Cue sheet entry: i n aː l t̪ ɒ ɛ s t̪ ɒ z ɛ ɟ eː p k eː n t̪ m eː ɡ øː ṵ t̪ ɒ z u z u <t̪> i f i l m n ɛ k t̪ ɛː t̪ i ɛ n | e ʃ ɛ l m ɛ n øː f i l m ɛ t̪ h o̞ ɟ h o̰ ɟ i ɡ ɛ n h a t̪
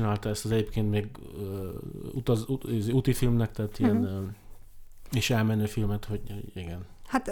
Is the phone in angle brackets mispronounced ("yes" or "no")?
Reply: no